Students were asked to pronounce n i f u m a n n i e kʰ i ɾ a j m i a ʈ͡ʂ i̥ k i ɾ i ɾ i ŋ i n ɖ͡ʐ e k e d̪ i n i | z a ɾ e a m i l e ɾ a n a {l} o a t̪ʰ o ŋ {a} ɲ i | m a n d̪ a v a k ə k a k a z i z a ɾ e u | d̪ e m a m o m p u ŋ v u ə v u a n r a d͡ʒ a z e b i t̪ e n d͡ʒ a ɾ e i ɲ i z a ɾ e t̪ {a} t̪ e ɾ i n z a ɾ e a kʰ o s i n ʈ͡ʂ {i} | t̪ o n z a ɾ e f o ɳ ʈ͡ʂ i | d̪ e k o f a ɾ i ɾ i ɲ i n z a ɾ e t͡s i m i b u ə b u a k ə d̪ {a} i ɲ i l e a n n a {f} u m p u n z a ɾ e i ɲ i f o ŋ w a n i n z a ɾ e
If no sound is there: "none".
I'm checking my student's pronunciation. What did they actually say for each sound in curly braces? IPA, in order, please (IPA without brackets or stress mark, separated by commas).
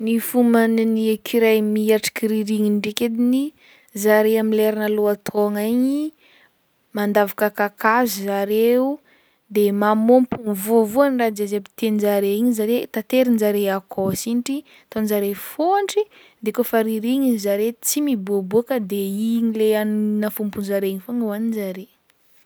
l, a, a, i, e, f